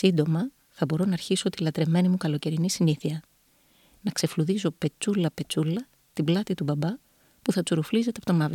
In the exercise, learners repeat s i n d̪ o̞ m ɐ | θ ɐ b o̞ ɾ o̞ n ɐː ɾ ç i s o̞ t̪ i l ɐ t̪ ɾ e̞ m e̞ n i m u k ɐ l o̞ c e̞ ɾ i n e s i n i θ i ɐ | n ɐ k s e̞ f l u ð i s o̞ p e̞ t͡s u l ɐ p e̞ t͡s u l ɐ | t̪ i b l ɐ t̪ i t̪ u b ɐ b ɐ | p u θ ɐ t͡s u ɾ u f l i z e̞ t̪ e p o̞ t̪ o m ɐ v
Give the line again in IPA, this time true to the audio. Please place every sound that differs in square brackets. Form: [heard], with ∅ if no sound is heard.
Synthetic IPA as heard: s i n d̪ o̞ m ɐ | θ ɐ b o̞ ɾ o̞ n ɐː ɾ ç i s o̞ t̪ i l ɐ t̪ ɾ e̞ m e̞ n i m u k ɐ l o̞ c e̞ ɾ i n [i] s i n i θ i ɐ | n ɐ k s e̞ f l u ð i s o̞ p e̞ t͡s u l ɐ p e̞ t͡s u l ɐ | t̪ i b l ɐ t̪ i t̪ u b ɐ b ɐ | p u θ ɐ t͡s u ɾ u f l i z e̞ t̪ e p o̞ t̪ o m ɐ v